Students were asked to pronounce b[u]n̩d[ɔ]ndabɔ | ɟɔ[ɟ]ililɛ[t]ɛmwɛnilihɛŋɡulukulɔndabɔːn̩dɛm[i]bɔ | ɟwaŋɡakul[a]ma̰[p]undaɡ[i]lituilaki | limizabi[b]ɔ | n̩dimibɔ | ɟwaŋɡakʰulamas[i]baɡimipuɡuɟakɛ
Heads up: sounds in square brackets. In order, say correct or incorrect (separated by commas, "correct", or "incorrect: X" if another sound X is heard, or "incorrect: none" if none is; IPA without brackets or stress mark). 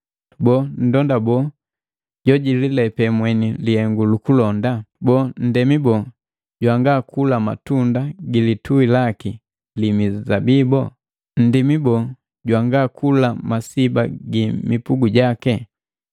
incorrect: ɔ, correct, correct, incorrect: p, correct, correct, incorrect: t, correct, correct, correct